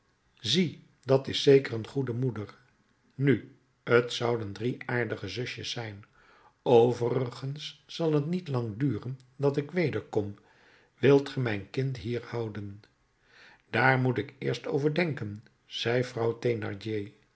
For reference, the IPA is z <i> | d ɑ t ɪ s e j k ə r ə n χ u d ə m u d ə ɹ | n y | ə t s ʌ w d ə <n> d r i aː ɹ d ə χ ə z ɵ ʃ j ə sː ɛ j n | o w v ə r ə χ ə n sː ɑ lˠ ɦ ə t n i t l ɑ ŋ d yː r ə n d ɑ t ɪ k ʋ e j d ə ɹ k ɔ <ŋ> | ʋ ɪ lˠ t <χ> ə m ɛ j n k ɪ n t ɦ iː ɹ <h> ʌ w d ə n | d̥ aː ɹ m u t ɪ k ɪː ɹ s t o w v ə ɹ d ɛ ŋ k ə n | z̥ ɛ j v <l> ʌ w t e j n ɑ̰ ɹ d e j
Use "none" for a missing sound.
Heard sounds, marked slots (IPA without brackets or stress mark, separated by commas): i, n, m, χ, h, r